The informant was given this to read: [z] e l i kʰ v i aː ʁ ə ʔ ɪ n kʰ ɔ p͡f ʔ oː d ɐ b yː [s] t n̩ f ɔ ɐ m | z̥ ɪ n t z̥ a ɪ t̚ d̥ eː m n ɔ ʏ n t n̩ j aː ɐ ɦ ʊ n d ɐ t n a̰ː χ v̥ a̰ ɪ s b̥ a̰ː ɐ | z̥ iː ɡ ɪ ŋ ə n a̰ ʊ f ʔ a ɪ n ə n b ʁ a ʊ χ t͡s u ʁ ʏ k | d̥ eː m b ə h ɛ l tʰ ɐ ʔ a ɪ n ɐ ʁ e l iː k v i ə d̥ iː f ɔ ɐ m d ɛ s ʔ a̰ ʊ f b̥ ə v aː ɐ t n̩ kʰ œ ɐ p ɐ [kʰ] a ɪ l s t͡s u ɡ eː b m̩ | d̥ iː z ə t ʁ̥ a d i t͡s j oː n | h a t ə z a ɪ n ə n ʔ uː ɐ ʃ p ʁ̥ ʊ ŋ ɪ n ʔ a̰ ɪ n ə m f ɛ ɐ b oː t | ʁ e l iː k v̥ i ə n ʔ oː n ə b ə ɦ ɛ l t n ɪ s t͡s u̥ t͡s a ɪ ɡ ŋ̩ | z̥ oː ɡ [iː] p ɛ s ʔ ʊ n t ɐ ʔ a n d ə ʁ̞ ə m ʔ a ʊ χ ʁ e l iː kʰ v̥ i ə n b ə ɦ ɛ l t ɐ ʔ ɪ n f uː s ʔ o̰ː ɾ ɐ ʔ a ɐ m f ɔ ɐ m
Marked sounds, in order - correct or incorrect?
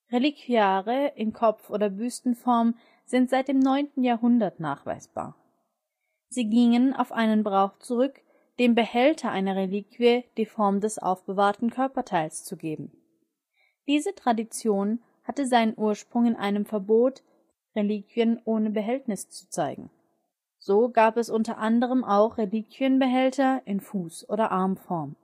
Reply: incorrect: ʁ, correct, incorrect: tʰ, incorrect: aː

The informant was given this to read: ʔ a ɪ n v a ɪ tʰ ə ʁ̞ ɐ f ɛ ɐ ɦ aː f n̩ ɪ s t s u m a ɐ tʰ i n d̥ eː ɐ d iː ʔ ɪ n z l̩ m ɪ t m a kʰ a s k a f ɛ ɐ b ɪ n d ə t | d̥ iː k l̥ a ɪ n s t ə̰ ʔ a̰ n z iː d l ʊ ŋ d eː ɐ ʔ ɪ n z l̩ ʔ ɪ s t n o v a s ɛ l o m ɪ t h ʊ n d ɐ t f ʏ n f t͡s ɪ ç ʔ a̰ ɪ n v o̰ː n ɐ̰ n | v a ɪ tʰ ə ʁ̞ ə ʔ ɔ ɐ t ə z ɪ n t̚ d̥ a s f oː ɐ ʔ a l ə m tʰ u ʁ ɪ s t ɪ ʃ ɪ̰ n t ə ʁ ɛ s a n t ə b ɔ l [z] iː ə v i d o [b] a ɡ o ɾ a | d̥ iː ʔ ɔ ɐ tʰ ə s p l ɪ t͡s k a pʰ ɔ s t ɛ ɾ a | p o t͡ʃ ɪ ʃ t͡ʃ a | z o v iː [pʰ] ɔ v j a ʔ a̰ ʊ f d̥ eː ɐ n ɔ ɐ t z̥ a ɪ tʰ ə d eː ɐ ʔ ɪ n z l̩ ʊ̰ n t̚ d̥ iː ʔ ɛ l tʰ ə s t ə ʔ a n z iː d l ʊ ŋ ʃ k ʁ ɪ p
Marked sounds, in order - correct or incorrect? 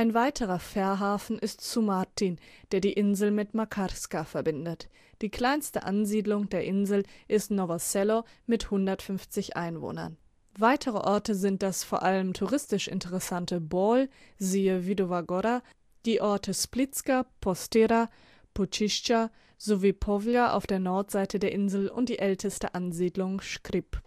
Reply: correct, incorrect: v, correct

